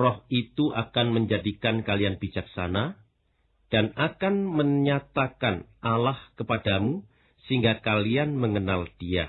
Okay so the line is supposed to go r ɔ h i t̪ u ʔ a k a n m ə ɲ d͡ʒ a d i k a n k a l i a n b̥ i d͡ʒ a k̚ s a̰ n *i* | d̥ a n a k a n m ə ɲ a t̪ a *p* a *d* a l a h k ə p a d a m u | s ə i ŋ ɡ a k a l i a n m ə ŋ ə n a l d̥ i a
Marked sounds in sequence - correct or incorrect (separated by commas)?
incorrect, incorrect, incorrect